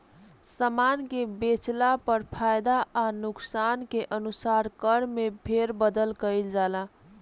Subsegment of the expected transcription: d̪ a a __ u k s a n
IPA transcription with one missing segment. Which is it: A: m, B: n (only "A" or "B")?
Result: B